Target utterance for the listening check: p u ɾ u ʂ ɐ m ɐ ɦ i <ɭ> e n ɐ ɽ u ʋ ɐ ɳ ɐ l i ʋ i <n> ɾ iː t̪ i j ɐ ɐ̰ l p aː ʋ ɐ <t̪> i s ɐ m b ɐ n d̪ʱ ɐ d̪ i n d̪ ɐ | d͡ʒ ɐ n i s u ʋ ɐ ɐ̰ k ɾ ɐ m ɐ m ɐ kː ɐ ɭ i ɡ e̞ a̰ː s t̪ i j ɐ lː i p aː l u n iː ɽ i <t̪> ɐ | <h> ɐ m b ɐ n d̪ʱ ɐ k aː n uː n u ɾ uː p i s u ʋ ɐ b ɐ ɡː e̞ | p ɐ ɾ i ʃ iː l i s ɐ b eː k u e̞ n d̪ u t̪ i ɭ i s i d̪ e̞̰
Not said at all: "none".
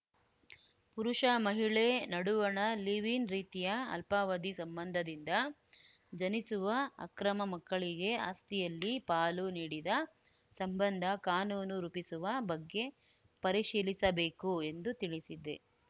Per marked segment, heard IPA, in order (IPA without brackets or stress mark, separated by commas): ɭ, n, d̪, d̪, s